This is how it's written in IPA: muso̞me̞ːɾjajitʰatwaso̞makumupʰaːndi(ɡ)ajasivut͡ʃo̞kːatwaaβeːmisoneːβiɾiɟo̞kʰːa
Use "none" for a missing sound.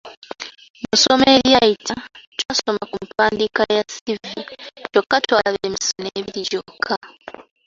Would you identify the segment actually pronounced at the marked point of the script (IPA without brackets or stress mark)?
k